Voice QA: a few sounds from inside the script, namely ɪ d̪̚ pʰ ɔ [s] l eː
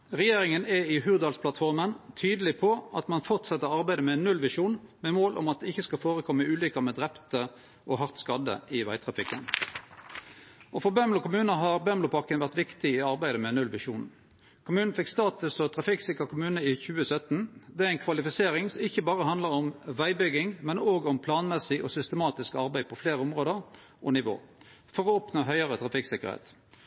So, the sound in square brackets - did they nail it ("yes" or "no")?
no